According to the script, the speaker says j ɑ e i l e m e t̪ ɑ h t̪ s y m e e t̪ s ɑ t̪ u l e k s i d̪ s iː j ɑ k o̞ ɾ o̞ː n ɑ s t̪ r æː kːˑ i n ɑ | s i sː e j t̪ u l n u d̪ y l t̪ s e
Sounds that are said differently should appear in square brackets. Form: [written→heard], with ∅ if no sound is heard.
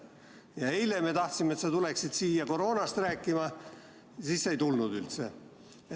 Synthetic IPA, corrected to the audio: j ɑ e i l e m e t̪ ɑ h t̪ s [y→i] m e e t̪ s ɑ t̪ u l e k s i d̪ s iː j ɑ k o̞ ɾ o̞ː n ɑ s t̪ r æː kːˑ i [n→m] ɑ | s i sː e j t̪ u l n u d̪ y l t̪ s e